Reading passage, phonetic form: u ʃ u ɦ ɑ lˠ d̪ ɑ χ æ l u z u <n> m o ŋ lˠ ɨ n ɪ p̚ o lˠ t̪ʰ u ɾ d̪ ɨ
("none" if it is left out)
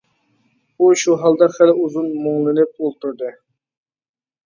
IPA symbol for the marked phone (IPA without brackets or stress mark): n